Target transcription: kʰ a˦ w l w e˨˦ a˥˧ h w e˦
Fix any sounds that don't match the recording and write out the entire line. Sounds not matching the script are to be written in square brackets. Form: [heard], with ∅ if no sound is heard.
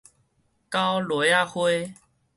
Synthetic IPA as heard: [k] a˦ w l w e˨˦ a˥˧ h w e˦